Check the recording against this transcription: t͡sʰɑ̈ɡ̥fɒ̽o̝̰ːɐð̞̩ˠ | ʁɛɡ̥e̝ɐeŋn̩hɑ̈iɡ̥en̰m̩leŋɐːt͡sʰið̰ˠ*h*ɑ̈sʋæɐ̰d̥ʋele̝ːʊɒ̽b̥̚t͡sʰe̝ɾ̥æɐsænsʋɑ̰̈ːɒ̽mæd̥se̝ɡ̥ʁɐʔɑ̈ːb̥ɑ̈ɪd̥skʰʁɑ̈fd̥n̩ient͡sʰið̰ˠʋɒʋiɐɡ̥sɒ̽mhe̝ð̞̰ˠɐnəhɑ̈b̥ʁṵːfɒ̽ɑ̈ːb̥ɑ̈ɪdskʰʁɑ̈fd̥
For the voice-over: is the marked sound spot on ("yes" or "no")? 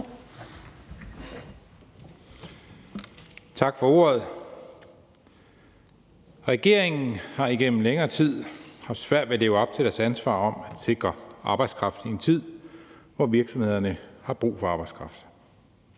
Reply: yes